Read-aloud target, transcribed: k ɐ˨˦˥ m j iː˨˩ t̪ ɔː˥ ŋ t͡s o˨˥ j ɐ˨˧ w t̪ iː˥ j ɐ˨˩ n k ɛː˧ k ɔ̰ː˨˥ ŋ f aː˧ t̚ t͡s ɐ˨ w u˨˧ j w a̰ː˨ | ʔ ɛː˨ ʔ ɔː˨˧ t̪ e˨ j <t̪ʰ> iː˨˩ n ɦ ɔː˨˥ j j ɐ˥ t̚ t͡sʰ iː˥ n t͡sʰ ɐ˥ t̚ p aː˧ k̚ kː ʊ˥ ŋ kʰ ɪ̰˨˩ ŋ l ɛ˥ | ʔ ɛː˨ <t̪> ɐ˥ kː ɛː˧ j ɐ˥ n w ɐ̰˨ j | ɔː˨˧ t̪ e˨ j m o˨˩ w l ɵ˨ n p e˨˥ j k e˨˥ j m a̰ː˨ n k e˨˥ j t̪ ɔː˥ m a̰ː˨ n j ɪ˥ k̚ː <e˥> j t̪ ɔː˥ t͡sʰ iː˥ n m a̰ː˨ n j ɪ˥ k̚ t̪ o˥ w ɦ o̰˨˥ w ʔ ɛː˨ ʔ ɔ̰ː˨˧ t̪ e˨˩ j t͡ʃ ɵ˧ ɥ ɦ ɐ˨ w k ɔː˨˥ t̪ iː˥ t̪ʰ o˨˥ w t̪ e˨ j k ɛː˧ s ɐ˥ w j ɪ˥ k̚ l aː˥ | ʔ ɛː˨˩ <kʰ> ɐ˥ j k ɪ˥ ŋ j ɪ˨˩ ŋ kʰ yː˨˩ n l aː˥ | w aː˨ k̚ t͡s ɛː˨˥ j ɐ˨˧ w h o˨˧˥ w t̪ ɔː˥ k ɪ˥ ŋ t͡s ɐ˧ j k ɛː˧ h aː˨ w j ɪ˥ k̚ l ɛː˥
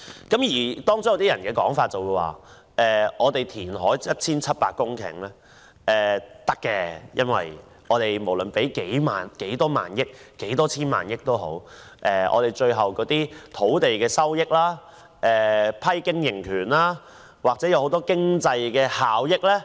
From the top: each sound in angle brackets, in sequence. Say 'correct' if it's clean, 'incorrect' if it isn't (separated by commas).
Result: correct, correct, incorrect, incorrect